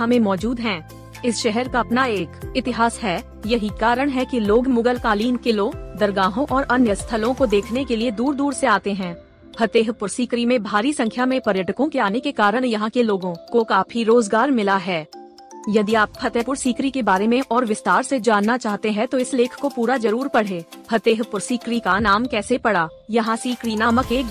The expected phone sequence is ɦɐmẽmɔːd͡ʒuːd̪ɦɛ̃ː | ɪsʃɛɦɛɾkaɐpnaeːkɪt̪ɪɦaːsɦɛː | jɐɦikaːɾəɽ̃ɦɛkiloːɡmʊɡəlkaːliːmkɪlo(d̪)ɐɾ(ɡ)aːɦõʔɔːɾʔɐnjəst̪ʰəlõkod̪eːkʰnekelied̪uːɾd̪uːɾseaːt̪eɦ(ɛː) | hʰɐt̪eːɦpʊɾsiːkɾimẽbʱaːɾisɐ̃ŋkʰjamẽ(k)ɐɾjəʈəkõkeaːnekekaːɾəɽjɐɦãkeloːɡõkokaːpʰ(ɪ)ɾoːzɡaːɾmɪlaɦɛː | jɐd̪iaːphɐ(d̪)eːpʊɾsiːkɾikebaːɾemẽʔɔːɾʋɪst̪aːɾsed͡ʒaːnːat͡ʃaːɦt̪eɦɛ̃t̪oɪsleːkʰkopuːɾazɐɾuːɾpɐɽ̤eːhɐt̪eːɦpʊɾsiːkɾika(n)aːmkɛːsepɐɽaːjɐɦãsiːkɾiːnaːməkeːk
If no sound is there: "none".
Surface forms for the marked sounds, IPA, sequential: d̪, ɡ, ɛ̃ː, p, i, t̪, n

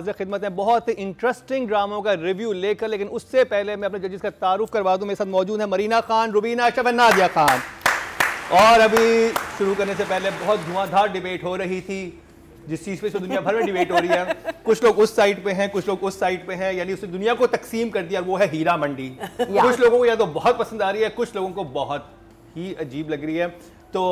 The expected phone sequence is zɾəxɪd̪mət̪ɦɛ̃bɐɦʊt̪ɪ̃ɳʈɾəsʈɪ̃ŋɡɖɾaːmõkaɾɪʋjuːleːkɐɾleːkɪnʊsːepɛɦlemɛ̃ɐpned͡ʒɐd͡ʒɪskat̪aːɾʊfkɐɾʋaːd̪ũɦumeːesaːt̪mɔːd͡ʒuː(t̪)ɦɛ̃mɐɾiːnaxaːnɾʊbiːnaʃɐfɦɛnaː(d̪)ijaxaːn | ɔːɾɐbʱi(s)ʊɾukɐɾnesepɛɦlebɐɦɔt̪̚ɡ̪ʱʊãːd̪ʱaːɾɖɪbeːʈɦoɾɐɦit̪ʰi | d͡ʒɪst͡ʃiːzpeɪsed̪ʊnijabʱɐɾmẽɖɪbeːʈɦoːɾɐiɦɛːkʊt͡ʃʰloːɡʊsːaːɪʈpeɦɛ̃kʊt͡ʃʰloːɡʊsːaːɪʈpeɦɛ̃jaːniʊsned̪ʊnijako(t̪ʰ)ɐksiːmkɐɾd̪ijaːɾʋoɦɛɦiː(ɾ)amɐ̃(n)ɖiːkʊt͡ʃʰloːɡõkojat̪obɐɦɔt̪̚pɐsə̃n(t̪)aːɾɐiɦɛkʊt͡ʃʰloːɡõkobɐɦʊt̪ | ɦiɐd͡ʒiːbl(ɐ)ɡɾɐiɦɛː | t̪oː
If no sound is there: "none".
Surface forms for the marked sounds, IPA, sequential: d̪, d̪, ʃ, t̪, ɾ, ɳ, d̪, ɐ

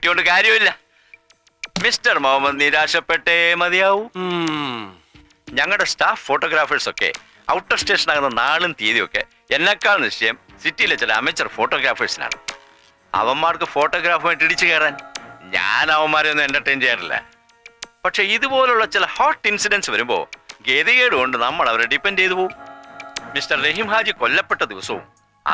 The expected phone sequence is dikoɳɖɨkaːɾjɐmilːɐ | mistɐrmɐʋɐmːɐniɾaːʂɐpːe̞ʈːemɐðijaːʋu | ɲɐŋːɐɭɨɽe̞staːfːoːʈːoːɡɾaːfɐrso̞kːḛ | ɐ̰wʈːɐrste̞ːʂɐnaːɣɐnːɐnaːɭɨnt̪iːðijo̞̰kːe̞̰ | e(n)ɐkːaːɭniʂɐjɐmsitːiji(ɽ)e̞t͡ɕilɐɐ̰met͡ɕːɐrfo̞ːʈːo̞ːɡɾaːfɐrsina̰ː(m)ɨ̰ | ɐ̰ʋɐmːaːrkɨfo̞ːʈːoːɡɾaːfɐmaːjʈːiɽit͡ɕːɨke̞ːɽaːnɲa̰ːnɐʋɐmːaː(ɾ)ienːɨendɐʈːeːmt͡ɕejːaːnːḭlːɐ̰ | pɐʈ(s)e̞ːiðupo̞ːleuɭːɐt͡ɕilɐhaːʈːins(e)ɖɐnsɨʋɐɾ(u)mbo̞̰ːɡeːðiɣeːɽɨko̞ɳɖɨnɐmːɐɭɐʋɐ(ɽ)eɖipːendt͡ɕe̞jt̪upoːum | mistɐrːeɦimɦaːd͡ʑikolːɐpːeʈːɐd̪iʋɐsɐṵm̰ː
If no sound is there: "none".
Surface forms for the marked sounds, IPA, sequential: nː, l, ɳ, ɾ, ʂ, i, u, ɾ

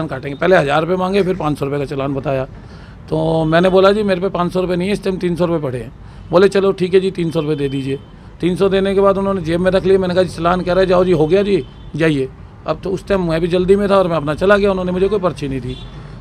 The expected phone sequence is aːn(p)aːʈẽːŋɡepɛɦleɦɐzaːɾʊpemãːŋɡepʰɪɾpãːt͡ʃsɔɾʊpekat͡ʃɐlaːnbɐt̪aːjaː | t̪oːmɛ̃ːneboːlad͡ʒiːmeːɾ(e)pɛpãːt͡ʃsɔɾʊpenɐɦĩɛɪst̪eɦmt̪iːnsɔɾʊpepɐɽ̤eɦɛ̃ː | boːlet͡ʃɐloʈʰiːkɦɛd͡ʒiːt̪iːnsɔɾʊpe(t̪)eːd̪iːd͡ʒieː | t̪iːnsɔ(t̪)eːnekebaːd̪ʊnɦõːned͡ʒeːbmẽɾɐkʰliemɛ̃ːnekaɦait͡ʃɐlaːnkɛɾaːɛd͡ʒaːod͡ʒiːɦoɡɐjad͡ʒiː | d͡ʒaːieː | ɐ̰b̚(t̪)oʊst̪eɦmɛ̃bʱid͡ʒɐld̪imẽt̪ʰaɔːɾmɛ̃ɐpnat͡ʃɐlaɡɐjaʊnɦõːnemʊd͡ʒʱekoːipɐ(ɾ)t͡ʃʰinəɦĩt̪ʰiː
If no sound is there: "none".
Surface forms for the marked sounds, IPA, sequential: k, e, d̪, d̪, t̪, ɾ

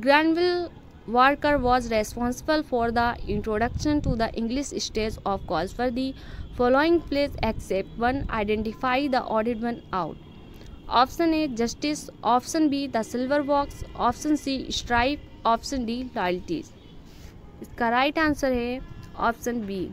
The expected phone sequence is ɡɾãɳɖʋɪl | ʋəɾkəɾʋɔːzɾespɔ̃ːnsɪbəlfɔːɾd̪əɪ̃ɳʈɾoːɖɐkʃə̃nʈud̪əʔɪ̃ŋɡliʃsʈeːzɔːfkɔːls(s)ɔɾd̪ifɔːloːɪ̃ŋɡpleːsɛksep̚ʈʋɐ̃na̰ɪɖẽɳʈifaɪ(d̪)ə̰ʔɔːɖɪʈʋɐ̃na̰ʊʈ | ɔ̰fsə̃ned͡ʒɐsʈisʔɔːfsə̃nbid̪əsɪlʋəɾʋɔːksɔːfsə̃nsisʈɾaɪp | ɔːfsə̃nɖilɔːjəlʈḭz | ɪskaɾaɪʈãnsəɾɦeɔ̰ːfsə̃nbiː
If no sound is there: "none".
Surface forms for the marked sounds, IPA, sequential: f, d̪

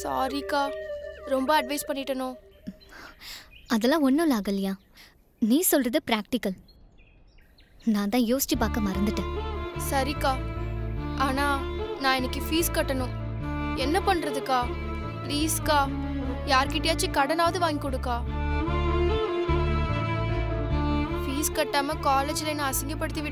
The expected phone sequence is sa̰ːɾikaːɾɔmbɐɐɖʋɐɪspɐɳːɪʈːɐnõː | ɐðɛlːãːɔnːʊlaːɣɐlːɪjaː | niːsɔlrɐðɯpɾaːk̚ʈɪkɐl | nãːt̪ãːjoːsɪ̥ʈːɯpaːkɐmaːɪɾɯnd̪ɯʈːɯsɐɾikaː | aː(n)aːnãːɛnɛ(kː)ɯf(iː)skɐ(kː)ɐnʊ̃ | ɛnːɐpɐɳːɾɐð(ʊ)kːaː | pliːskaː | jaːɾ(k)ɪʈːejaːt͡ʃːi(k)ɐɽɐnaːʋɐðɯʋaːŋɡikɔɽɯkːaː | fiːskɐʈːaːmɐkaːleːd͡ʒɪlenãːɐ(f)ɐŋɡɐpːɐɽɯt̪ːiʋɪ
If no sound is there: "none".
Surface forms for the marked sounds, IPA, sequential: n, kː, iː, ʈː, ɯ, k, k, s

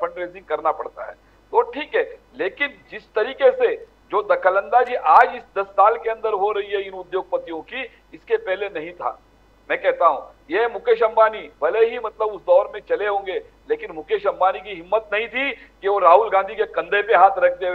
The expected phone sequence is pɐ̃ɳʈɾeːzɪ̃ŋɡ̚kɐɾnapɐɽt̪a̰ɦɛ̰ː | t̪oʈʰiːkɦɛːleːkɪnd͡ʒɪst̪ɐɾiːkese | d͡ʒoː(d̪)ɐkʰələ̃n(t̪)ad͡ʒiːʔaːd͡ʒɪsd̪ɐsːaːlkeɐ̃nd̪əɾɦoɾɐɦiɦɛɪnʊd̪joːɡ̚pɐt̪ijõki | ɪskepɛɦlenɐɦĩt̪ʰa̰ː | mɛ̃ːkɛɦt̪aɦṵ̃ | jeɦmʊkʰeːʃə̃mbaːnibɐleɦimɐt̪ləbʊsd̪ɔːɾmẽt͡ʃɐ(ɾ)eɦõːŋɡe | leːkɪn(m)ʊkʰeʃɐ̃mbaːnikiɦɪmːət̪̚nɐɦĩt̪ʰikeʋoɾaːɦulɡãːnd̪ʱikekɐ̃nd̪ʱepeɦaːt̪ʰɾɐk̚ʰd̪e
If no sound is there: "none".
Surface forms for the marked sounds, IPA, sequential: d̪, d̪, l, m

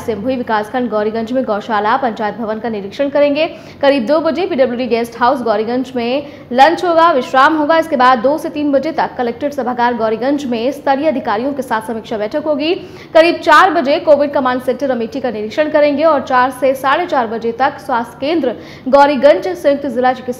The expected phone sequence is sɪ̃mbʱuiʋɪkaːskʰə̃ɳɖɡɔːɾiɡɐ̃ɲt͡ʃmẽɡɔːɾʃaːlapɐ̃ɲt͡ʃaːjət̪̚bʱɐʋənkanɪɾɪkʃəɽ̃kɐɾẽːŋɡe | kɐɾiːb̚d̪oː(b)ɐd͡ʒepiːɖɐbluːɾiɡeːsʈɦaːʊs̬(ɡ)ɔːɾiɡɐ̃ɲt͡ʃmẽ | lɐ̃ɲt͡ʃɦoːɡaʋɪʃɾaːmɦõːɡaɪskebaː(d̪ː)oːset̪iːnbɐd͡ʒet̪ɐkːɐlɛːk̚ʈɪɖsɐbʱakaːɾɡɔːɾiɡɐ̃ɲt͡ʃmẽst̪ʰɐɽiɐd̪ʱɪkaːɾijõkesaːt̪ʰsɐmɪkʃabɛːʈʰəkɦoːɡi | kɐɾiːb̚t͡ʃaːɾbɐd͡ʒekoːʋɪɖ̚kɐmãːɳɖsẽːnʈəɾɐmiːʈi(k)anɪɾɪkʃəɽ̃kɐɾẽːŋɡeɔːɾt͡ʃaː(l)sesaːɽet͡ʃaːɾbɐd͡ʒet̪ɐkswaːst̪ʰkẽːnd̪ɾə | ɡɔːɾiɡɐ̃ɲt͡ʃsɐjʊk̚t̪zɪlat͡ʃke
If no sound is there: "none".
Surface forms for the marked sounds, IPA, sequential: b, ɡ, d̪ː, k, ɾ

